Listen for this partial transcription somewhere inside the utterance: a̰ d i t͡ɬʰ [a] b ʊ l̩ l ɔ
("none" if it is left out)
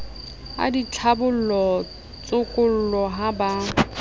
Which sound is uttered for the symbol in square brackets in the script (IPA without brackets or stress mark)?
a